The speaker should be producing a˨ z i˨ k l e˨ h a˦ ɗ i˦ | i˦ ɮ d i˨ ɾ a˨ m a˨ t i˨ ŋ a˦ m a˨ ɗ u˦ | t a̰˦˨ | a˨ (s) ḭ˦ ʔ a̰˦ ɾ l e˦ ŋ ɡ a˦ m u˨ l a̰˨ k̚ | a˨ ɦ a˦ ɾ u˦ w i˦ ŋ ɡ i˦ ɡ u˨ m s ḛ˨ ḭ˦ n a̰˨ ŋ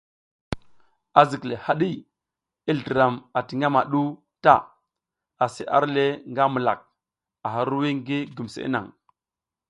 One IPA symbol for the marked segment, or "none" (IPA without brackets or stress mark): s